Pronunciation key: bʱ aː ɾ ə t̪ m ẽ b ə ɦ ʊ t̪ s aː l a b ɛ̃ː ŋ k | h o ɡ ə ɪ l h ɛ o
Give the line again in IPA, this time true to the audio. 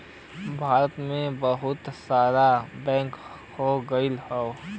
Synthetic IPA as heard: bʱ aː ɾ ə t̪ m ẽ b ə ɦ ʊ t̪ s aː ɾ a b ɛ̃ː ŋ k | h o ɡ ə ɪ l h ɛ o